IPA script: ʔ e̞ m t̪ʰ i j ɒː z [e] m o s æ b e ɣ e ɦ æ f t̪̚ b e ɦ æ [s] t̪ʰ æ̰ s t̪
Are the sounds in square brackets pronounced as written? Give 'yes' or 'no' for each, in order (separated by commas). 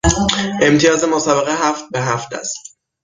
yes, no